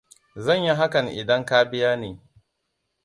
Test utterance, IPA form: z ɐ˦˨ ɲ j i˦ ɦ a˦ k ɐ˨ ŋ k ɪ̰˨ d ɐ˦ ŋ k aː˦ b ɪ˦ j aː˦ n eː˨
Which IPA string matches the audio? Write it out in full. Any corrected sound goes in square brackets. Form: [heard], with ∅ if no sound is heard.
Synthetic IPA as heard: z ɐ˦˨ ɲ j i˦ ɦ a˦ k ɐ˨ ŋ [ʔ] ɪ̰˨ d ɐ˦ ŋ k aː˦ b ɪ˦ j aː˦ n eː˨